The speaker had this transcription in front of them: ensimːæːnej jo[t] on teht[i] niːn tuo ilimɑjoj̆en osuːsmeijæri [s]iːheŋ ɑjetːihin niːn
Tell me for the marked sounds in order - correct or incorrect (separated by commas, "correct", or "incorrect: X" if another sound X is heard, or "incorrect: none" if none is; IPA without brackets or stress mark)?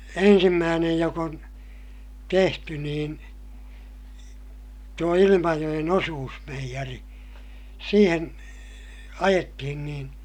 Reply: incorrect: k, incorrect: y, correct